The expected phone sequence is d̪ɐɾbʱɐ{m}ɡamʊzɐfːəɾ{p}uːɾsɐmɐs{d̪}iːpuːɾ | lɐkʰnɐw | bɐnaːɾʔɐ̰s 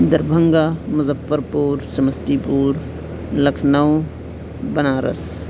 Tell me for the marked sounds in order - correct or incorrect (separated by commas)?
incorrect, correct, incorrect